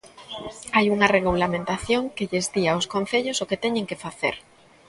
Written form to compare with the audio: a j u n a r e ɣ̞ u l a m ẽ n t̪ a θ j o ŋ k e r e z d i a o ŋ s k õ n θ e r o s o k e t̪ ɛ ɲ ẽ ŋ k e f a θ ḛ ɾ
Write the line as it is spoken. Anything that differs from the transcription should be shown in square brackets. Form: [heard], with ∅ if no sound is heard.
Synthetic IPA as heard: a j u [ŋ] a r e ɣ̞ u l a m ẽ n t̪ a θ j o ŋ k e [ʎ] e z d i a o [∅] s k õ n θ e [ʎ] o s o k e t̪ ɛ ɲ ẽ ŋ k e f a θ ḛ ɾ